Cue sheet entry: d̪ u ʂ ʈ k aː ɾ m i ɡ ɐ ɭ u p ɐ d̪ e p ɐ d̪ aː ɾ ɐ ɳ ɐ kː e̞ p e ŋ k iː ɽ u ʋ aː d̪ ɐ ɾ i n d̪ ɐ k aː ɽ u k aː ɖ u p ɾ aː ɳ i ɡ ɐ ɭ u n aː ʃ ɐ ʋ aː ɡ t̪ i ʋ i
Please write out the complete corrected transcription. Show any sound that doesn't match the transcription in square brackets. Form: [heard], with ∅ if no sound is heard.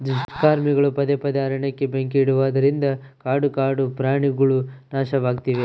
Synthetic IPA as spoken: d̪ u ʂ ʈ k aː ɾ m i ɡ ɐ ɭ u p ɐ d̪ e p ɐ d̪ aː ɾ ɐ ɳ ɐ kː e̞ [b] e ŋ k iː ɽ u ʋ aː d̪ ɐ ɾ i n d̪ ɐ k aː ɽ u k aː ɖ u p ɾ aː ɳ i ɡ ɐ ɭ u n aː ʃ ɐ ʋ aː ɡ t̪ i ʋ [e]